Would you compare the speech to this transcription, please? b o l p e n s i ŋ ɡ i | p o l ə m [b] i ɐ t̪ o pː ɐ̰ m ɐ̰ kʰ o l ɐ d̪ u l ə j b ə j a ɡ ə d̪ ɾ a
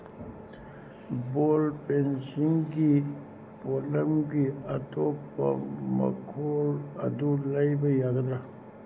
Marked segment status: incorrect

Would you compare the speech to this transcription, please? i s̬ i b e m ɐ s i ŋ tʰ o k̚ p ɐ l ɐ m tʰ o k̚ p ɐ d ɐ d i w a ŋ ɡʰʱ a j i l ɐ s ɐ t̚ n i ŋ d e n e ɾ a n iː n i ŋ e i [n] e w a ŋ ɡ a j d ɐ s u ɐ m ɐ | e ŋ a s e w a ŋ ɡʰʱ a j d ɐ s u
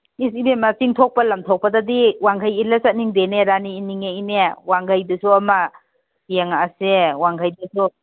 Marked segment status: correct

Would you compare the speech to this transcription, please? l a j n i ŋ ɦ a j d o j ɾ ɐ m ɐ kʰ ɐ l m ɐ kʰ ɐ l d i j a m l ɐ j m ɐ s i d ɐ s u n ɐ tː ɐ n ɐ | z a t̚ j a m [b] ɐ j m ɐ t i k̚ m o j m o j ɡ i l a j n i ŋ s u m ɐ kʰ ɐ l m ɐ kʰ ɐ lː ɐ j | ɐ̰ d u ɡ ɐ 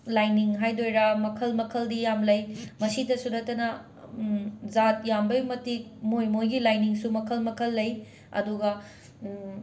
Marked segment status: correct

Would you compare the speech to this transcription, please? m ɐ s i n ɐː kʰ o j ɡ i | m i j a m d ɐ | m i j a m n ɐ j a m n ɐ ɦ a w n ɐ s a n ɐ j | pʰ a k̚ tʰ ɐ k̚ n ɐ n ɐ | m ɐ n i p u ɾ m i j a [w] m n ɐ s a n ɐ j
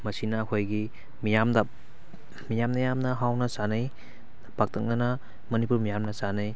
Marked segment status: incorrect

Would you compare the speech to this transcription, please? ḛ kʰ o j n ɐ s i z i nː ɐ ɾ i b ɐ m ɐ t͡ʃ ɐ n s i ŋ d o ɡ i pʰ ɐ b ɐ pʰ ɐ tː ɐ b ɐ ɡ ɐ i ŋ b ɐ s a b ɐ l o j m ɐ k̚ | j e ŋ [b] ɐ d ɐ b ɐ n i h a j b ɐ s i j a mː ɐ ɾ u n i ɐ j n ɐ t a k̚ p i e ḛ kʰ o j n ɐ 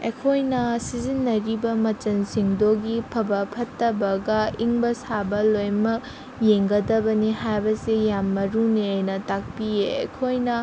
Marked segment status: incorrect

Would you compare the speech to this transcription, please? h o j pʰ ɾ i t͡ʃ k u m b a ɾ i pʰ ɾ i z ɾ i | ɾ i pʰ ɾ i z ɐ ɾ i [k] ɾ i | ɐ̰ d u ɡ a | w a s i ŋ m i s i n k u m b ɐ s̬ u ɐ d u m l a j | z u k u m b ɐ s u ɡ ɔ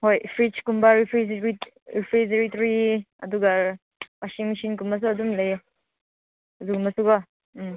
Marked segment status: incorrect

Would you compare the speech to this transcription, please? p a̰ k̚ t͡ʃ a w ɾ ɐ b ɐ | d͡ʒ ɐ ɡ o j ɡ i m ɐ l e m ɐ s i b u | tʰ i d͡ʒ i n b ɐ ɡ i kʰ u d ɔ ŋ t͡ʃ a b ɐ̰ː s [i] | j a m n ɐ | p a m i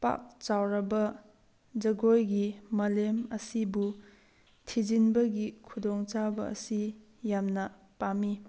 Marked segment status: correct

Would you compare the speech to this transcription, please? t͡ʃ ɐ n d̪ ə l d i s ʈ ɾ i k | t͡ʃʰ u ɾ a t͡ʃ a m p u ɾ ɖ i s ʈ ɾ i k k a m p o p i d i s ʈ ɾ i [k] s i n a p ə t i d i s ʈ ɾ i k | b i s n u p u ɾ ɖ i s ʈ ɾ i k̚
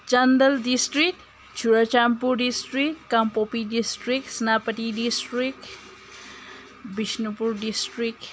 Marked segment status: correct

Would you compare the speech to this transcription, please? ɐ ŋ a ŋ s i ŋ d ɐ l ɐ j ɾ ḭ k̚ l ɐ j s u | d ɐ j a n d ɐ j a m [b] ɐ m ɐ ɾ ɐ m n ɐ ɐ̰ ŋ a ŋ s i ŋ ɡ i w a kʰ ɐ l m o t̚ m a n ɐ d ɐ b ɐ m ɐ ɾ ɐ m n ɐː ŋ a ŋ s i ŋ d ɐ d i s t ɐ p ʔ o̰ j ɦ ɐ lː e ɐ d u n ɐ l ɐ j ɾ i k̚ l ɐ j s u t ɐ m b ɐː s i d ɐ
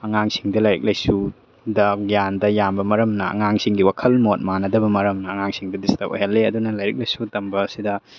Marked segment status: correct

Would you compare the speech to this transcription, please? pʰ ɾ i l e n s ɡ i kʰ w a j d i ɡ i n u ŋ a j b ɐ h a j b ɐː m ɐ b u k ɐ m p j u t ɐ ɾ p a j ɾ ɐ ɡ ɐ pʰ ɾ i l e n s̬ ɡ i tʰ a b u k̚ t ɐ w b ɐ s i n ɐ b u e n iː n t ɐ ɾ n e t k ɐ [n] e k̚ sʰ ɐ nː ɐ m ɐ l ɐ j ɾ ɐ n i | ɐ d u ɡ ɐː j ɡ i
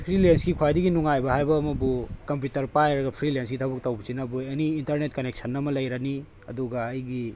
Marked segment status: correct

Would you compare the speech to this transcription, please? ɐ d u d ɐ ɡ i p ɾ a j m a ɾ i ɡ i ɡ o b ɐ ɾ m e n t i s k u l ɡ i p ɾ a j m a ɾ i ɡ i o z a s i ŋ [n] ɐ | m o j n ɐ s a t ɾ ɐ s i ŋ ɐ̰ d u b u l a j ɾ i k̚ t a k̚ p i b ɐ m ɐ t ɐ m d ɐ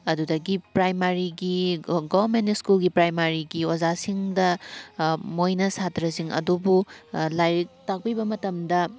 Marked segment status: incorrect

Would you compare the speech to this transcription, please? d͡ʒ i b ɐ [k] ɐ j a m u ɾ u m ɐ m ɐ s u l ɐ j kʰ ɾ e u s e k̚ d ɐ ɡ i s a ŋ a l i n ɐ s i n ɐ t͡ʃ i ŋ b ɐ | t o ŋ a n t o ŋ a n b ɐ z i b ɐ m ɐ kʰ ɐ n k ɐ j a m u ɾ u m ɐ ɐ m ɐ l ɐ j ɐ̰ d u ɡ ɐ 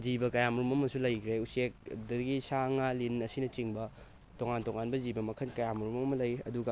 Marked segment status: correct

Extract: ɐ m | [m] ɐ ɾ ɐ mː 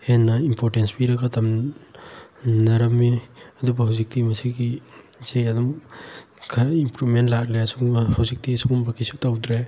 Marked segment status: incorrect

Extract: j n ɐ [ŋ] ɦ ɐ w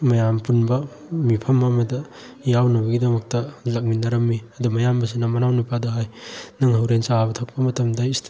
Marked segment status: correct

